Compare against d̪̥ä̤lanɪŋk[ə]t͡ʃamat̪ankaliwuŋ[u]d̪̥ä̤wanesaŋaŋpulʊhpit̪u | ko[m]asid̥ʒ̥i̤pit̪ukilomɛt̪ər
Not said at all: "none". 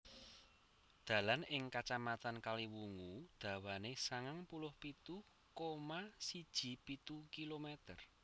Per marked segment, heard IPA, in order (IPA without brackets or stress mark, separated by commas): a, u, m